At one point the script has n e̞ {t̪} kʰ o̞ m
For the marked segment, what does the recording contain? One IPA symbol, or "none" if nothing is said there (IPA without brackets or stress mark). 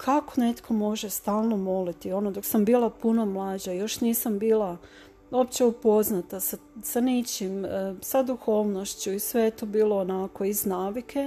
t̪